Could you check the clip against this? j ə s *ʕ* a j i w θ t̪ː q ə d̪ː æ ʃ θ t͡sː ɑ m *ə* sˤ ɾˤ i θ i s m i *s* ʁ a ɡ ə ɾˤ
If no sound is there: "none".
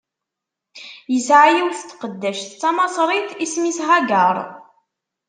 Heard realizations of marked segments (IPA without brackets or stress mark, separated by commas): ʕ, ɑ, s